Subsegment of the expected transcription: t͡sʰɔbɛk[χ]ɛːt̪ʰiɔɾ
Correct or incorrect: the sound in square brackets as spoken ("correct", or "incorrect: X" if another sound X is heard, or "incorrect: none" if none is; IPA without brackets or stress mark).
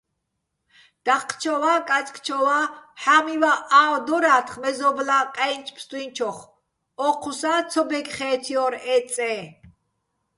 correct